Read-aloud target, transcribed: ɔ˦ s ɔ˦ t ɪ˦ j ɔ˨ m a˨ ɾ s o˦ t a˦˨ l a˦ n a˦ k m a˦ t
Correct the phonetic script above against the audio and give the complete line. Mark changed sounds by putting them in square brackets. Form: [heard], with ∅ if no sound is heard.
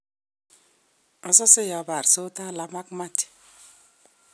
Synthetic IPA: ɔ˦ s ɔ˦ [s] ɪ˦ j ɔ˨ [b] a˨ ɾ s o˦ t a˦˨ l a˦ [m] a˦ k m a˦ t